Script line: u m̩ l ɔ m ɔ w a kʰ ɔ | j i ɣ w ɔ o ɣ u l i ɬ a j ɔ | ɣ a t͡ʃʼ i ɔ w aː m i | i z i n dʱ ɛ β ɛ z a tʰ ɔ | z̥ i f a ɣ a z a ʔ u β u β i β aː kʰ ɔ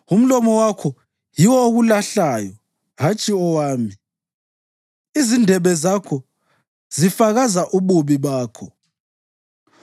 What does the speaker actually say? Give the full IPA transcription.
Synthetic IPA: u m̩ l ɔ m ɔ w a kʰ ɔ | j i w ɔ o ɣ u l a ɬ a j ɔ | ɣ a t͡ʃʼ i ɔ w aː m i | i z i n dʱ ɛ β ɛ z a kʰ ɔ | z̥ i f a ɣ a z a ʔ u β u β i β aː kʰ ɔ